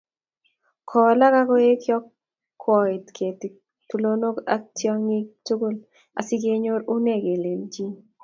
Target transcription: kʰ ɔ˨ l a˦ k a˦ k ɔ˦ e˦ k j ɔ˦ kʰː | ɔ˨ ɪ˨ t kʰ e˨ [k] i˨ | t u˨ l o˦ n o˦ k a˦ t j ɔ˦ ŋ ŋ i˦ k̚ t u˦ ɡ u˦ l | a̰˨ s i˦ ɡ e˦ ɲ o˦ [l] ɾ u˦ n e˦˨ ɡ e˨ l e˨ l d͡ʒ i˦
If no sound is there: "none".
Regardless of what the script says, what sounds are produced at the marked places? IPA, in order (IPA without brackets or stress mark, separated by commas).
t, none